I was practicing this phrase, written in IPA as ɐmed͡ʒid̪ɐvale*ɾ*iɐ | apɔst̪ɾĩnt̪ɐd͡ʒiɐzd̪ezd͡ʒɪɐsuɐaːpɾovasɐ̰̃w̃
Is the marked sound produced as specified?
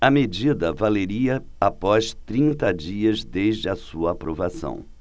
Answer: yes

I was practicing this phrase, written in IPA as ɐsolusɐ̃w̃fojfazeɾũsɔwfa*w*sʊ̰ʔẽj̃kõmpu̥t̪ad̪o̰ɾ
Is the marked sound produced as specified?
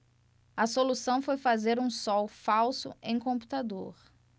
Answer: yes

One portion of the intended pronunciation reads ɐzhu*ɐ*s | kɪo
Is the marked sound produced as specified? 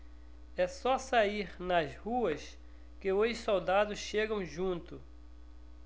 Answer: yes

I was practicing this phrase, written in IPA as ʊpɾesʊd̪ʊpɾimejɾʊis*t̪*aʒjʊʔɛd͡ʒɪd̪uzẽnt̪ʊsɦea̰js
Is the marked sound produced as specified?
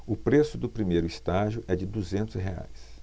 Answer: yes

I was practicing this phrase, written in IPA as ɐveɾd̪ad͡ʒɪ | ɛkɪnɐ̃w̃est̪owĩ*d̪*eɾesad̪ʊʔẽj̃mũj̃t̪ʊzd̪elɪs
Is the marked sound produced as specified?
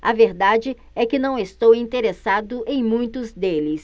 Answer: no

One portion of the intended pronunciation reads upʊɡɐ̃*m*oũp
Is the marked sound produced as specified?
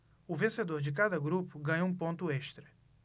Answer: no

